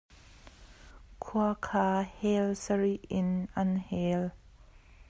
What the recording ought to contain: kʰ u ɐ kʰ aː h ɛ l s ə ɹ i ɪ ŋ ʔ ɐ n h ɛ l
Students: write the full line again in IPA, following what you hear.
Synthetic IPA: kʰ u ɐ kʰ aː h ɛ l s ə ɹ i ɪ n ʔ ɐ n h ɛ l